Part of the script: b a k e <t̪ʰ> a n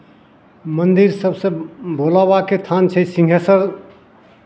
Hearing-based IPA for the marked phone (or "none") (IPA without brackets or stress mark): t̪ʰ